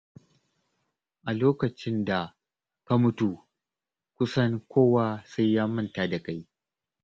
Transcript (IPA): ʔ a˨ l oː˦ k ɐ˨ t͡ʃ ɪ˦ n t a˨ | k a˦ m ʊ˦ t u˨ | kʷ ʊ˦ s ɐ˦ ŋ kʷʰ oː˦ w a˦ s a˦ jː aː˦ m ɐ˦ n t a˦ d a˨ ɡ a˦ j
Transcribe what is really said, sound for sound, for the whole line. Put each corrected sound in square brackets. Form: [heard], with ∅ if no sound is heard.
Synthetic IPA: ʔ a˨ l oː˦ k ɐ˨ t͡ʃ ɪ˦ n [d] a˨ | k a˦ m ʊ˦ t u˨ | kʷ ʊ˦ s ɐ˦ ŋ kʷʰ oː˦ w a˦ s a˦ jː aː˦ m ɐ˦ n t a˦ d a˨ [k] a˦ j